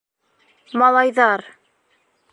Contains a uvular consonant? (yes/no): no